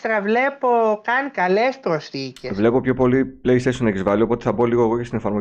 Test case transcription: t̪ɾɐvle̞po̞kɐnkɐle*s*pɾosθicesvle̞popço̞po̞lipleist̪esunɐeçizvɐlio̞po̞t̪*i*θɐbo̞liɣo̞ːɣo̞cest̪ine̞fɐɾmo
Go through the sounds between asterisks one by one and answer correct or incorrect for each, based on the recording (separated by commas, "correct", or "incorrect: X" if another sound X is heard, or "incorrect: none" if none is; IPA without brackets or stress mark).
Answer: correct, incorrect: e